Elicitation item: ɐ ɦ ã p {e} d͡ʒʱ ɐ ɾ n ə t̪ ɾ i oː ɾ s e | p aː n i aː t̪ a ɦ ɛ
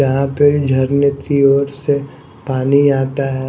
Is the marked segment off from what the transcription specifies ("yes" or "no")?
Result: no